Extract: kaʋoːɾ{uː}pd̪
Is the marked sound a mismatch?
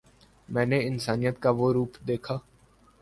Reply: no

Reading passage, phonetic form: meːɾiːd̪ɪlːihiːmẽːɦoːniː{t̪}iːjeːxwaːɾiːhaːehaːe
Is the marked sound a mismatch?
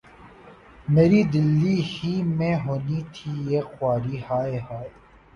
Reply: yes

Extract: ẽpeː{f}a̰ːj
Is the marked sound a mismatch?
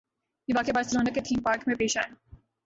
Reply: yes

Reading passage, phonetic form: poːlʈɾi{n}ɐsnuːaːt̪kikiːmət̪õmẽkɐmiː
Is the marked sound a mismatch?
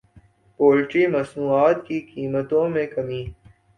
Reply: yes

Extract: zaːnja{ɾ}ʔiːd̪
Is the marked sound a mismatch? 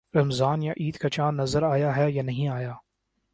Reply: yes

